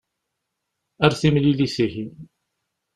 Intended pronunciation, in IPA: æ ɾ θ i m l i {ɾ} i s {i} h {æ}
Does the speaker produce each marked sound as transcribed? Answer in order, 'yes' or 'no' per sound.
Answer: no, yes, no

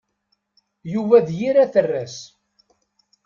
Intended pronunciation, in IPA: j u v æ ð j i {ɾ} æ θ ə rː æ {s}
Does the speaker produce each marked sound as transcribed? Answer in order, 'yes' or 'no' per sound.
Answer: yes, yes

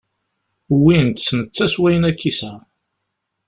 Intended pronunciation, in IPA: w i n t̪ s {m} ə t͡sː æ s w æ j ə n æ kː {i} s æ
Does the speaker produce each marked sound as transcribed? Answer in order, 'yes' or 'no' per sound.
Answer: no, yes

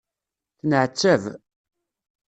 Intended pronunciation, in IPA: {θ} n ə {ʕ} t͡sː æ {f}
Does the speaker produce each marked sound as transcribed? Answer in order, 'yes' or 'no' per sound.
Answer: yes, yes, no

